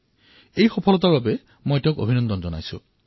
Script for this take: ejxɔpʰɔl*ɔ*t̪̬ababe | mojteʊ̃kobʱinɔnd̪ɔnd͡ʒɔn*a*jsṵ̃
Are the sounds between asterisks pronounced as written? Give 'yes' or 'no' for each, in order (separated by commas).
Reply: yes, yes